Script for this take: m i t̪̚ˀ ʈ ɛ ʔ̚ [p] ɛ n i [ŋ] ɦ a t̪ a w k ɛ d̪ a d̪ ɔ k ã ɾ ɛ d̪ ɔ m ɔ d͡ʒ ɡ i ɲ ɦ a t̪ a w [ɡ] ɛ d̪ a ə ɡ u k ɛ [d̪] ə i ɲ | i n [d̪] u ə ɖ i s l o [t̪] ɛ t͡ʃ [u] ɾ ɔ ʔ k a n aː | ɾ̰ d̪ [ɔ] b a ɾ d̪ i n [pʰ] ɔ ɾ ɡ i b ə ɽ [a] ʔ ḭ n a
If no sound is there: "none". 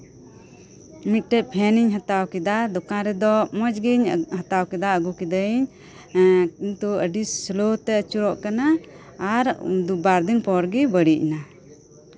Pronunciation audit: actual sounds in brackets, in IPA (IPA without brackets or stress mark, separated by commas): pʰ, ɲ, k, d̪, t̪, t̪, u, u, p, i